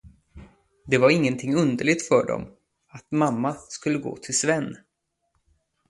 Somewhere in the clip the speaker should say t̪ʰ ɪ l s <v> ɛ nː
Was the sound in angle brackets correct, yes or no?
yes